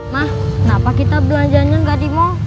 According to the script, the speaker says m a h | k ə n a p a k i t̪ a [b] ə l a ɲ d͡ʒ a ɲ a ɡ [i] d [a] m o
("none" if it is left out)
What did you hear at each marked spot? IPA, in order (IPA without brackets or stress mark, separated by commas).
b, a, i